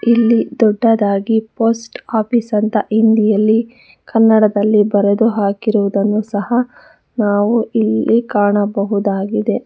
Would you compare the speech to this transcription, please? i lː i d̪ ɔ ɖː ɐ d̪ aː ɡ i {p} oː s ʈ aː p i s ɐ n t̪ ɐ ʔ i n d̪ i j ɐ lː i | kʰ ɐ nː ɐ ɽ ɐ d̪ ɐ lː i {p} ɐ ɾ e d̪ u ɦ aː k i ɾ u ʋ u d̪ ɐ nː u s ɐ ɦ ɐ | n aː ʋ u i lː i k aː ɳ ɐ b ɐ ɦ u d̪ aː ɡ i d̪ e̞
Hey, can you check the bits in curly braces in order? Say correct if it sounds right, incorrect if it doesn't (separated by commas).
correct, incorrect